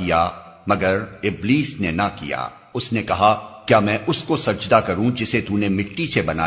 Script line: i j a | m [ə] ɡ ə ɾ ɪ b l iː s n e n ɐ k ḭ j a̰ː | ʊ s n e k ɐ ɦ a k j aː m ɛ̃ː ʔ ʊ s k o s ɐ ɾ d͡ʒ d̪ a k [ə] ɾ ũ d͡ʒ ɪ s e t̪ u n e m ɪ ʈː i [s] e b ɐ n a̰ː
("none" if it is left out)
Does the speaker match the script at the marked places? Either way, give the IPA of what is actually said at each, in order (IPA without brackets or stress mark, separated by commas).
ɐ, ɐ, s